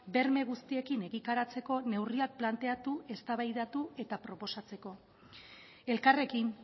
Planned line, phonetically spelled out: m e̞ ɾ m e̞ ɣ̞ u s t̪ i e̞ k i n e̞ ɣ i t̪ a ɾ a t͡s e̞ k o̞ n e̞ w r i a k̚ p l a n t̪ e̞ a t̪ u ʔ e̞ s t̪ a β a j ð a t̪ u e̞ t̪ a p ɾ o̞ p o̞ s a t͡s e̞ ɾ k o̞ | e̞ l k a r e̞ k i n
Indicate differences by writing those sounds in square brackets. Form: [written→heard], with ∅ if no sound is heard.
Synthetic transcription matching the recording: [m→b] e̞ ɾ m e̞ ɣ̞ u s t̪ i e̞ k i n e̞ ɣ i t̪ a ɾ a t͡s e̞ k o̞ n e̞ w r i a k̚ p l a n t̪ e̞ a t̪ u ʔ e̞ s t̪ a β a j ð a t̪ u e̞ t̪ a p ɾ o̞ p o̞ s a t͡s e̞ [ɾ→∅] k o̞ | e̞ l k a r e̞ k i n